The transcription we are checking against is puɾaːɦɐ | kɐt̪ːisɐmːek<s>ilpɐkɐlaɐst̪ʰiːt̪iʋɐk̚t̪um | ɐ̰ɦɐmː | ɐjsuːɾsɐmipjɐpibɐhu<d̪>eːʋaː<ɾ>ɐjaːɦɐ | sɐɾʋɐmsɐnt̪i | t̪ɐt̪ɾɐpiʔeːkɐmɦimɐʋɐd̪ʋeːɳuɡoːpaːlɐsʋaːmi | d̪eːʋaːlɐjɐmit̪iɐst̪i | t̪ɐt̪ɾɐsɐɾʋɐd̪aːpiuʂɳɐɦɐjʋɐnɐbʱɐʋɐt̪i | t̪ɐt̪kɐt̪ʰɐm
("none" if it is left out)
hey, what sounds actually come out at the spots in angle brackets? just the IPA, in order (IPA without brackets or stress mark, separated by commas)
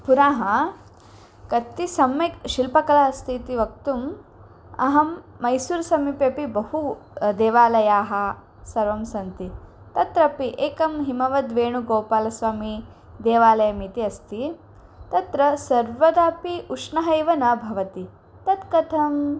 ʃ, d̪, l